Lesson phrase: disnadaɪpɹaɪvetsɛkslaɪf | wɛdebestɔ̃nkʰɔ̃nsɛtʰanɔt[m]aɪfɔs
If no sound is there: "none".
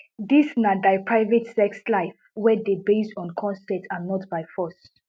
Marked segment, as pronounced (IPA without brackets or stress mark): b